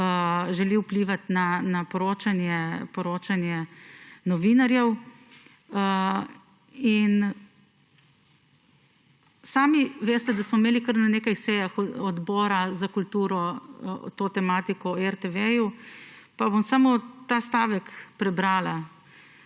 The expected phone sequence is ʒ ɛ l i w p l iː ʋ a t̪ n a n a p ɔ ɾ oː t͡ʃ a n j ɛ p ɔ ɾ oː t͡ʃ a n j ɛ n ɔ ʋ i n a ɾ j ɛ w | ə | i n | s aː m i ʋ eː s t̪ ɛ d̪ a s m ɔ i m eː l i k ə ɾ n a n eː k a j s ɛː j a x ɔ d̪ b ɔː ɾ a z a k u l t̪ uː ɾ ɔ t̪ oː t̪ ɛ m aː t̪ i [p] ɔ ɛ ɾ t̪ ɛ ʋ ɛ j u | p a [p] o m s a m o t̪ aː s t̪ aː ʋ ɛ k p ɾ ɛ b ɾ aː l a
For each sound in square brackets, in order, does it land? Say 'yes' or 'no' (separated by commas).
no, no